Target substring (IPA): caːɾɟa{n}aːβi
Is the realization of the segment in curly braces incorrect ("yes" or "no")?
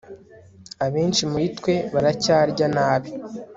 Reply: no